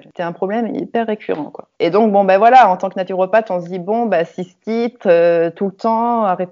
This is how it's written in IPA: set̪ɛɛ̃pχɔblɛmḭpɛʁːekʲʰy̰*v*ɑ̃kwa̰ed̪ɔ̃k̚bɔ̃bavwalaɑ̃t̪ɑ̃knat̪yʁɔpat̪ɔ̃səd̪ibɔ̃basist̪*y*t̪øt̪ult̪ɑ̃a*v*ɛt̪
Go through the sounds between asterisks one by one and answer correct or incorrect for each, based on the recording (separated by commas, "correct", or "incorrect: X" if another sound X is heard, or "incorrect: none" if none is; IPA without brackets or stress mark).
incorrect: ʁ, incorrect: i, incorrect: ʁ